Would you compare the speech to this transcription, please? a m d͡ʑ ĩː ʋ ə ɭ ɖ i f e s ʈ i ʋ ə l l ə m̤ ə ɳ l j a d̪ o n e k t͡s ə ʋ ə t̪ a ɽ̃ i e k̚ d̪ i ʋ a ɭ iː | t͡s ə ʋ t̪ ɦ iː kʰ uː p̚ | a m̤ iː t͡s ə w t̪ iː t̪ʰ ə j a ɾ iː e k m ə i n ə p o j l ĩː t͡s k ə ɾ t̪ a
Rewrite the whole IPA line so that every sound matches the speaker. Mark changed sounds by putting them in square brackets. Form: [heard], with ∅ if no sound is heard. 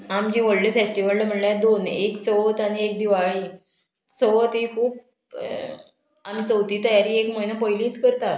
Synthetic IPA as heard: a m d͡ʑ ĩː ʋ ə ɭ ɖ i f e s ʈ i ʋ ə l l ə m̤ ə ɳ l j a d̪ o n e k t͡s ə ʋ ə t̪ a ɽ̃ i e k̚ d̪ i ʋ a ɭ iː | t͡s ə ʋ t̪ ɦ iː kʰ uː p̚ | a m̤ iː t͡s ə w t̪ iː [t̪] ə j a ɾ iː e k m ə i n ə p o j l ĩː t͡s k ə ɾ t̪ a